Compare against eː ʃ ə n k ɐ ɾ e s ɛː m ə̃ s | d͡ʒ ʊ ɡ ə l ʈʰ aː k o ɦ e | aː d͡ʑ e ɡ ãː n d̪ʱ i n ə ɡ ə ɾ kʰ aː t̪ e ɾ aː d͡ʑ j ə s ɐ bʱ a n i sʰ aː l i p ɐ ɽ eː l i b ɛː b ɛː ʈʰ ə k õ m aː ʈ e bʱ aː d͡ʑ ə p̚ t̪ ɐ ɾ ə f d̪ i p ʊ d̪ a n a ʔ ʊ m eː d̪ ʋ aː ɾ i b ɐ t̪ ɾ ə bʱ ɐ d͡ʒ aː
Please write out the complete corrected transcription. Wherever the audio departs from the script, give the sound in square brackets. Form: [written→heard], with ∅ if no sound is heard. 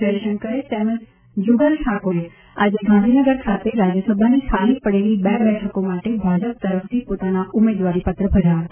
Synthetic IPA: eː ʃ ə n k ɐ ɾ e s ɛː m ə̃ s | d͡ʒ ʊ ɡ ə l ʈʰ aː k o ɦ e | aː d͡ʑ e ɡ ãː n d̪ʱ i n ə ɡ ə ɾ kʰ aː t̪ e ɾ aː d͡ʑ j ə s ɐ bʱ a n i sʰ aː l i p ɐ ɽ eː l i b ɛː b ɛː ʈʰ ə k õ m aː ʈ e bʱ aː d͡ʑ ə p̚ t̪ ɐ ɾ ə f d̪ i p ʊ [d̪→t̪] a n a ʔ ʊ m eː d̪ ʋ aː ɾ i [b→p] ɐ t̪ ɾ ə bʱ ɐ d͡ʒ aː